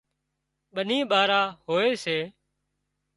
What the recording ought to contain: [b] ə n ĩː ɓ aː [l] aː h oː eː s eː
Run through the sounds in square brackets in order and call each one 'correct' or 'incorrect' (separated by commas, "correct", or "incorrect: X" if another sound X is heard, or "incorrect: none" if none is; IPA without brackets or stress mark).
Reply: incorrect: ɓ, incorrect: ɾ